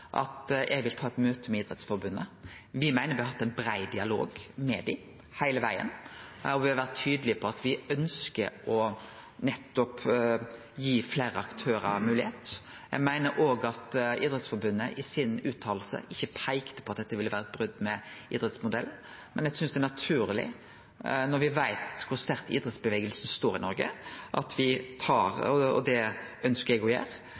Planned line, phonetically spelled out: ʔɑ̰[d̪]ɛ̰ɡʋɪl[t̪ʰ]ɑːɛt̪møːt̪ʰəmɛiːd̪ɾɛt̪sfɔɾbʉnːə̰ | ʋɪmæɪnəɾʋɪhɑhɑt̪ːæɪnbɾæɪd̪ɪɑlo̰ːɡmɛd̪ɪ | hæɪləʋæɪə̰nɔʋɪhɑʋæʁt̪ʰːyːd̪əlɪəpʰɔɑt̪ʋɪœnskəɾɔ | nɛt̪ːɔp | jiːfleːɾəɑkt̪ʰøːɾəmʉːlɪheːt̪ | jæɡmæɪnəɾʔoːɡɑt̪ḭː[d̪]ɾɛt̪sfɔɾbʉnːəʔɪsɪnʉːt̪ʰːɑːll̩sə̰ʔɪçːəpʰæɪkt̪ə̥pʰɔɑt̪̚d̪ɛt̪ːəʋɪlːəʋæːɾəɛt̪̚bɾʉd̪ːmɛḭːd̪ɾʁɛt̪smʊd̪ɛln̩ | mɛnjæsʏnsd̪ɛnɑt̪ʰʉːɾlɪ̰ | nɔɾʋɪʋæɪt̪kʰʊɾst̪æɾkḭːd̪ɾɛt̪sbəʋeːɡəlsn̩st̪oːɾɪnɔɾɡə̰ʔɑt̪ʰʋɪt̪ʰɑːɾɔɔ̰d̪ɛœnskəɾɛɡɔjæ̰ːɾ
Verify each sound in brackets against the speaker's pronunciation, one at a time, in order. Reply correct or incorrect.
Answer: incorrect: t̪, correct, correct

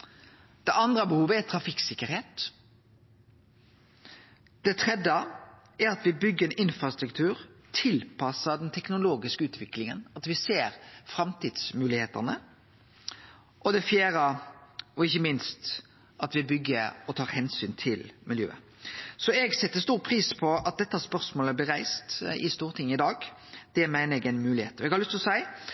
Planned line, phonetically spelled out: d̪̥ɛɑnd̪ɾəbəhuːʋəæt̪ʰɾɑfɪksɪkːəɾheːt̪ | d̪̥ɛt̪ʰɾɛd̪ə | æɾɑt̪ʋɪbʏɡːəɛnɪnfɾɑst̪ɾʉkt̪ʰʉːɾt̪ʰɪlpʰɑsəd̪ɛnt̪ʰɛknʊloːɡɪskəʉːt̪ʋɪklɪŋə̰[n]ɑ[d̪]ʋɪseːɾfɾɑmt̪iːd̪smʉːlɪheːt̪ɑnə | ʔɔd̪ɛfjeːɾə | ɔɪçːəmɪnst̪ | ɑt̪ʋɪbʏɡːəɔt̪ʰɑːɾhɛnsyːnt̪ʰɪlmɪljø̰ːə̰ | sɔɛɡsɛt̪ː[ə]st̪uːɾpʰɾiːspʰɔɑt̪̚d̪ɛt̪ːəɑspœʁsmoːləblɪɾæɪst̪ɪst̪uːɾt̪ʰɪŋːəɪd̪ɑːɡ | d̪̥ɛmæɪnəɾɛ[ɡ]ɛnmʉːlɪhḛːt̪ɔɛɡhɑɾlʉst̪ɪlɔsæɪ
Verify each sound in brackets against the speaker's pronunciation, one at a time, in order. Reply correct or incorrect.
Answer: correct, incorrect: t̪, correct, correct

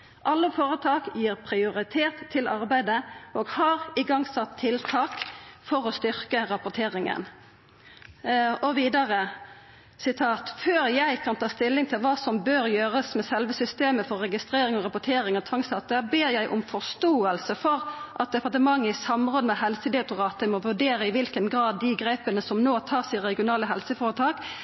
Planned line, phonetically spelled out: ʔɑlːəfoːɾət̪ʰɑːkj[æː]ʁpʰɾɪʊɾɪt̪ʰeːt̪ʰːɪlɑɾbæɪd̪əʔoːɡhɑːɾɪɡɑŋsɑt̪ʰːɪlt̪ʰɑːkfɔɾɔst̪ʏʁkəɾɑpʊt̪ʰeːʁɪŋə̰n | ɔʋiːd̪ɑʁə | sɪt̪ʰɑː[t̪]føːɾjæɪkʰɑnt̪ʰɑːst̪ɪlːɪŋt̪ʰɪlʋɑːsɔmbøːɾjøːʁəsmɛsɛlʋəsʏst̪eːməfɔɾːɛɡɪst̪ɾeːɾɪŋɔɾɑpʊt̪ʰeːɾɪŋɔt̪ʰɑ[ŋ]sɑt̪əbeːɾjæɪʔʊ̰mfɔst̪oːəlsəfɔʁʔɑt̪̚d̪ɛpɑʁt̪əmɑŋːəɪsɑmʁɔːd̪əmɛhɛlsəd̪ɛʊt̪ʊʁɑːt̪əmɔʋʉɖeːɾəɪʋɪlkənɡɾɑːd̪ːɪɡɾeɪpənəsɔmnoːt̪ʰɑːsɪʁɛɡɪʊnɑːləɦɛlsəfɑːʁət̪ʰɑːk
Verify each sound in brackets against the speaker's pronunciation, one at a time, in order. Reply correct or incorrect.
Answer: incorrect: iː, correct, correct

